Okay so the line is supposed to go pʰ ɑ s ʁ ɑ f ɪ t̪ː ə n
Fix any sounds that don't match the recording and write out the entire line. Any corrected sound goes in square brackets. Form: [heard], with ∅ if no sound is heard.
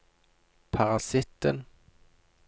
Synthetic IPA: pʰ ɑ [∅] ʁ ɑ [s] ɪ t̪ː ə n